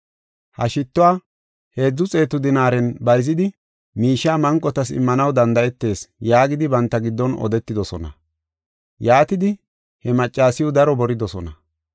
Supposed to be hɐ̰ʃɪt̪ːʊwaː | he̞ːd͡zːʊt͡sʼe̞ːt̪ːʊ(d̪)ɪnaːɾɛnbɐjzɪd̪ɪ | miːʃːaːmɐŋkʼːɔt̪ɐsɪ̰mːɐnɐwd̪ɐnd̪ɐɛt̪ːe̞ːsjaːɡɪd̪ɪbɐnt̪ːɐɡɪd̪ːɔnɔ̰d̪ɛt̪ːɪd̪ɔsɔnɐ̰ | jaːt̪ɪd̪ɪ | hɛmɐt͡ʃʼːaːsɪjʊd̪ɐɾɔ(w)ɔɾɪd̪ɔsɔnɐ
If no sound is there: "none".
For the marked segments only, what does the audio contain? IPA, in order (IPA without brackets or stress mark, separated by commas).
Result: d̪, b